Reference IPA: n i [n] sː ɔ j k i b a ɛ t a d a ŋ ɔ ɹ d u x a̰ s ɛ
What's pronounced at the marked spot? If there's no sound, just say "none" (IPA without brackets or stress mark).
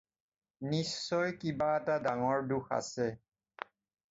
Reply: none